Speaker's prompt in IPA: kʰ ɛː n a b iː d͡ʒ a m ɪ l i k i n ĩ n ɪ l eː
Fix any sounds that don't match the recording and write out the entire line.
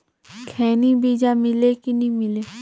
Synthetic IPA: kʰ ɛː n i b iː d͡ʒ a m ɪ l e k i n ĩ m ɪ l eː